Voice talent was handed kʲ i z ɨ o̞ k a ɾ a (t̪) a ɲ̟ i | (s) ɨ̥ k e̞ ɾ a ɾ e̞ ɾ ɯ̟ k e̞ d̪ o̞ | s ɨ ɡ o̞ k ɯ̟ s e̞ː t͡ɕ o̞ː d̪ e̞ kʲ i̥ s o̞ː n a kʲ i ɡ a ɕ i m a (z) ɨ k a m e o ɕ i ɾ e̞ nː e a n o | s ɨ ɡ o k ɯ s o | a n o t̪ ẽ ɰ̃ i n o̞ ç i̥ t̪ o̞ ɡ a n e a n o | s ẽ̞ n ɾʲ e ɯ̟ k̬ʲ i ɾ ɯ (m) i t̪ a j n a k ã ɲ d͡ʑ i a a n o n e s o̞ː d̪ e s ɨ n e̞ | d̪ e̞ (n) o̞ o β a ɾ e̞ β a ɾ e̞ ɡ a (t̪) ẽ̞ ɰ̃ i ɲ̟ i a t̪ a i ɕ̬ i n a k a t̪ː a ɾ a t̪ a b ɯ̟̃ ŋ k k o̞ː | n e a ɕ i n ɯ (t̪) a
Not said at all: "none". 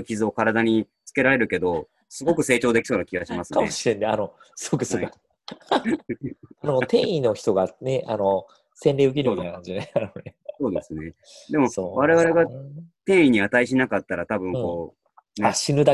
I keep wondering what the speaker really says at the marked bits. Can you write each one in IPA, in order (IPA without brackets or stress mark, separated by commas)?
d̪, t͡s, s, m, m, t̪, d̪